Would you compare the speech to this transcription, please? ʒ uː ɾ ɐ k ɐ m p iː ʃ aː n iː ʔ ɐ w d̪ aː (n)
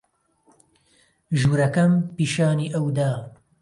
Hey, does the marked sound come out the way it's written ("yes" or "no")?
no